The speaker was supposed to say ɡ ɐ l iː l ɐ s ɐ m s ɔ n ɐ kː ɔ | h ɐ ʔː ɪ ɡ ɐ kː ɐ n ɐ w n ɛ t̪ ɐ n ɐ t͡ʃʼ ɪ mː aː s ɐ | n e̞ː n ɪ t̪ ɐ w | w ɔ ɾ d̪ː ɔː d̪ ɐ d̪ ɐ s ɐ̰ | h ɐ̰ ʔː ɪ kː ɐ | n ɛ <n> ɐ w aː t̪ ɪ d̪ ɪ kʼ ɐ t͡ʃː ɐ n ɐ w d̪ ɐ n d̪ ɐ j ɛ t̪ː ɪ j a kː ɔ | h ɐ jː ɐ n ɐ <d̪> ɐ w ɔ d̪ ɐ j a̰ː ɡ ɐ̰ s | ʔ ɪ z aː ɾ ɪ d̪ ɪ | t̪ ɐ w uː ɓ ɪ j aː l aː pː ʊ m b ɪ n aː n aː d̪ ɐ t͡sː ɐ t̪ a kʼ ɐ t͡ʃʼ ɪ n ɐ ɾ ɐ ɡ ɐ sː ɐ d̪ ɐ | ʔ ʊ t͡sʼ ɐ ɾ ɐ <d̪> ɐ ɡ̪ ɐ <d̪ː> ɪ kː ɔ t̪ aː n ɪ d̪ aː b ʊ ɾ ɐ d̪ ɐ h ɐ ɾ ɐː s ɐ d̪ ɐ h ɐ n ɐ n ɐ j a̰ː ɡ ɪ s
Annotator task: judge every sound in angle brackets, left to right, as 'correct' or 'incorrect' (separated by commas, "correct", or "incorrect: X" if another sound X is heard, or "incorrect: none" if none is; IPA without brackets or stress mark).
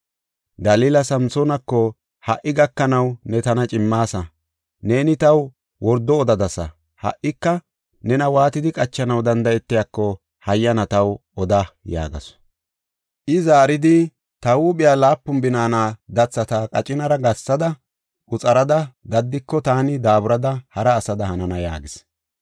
correct, incorrect: t̪, correct, correct